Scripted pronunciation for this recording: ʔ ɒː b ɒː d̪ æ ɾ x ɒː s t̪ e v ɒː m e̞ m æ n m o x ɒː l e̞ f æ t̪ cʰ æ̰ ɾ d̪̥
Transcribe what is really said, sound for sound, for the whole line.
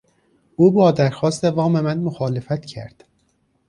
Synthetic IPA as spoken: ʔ uː b ɒː d̪ æ ɾ x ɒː s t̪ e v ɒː m e̞ m æ n m o x ɒː l e̞ f æ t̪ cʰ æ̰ ɾ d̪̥